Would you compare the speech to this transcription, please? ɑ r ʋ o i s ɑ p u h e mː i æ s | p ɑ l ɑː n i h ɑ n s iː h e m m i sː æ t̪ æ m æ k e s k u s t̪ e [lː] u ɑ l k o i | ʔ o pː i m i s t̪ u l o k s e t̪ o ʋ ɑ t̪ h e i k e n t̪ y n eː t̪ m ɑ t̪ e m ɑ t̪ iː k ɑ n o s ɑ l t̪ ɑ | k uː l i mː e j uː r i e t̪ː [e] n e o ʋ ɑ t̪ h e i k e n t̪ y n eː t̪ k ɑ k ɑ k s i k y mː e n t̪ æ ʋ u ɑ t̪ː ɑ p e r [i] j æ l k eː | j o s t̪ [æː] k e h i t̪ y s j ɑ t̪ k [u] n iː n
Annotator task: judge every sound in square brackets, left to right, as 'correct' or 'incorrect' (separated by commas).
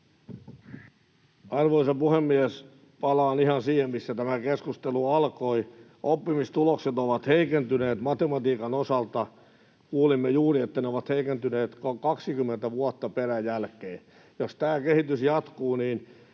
incorrect, incorrect, incorrect, correct, incorrect